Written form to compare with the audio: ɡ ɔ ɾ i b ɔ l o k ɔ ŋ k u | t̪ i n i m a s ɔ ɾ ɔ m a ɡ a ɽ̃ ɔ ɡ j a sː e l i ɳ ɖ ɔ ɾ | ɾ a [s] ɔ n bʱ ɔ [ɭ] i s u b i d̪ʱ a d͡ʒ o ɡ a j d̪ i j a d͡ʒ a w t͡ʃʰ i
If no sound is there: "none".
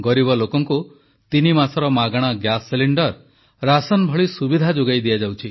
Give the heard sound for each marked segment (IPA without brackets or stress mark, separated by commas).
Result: s, ɭ